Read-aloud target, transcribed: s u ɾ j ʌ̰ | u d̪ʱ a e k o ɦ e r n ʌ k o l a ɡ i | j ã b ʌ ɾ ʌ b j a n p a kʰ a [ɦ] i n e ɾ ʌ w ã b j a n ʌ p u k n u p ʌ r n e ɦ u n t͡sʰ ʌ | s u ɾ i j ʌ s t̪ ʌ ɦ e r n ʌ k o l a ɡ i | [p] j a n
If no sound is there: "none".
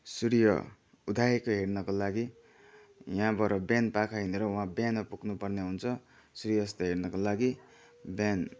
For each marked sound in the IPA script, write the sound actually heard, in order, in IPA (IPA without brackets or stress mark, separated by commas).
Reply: ɦ, b